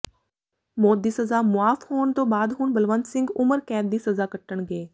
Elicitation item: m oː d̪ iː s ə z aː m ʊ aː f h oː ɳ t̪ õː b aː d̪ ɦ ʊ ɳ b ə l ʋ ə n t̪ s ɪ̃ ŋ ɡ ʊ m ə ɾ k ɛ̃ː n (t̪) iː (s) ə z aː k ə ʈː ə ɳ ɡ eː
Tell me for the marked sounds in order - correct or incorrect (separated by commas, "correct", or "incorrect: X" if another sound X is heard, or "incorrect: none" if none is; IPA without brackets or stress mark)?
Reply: incorrect: d̪, correct